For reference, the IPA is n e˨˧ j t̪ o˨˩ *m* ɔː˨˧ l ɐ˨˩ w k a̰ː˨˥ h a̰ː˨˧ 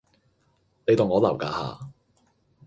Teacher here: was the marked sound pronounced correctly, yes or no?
no